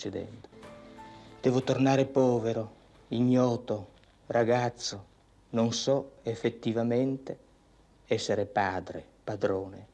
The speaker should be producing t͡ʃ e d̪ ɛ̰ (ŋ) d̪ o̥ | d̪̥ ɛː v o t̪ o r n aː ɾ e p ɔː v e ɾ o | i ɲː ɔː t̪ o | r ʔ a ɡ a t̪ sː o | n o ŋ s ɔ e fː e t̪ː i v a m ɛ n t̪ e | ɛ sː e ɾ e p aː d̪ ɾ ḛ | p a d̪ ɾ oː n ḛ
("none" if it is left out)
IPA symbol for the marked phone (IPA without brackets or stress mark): n